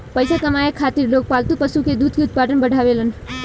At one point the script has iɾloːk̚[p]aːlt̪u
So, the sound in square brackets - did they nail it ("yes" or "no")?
yes